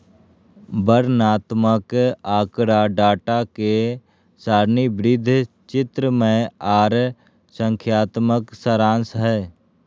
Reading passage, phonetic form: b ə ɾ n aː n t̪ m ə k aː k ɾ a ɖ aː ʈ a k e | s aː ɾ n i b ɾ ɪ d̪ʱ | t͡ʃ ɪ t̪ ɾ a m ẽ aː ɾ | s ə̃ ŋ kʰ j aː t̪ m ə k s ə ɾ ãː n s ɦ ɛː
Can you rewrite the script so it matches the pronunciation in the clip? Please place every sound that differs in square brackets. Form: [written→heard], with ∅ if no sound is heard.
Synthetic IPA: b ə ɾ n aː [n→∅] t̪ m ə k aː k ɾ a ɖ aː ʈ a k e | s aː ɾ n i b ɾ ɪ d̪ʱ | t͡ʃ ɪ t̪ ɾ [a→ə] m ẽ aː ɾ | s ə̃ ŋ kʰ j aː t̪ m ə k s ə ɾ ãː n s ɦ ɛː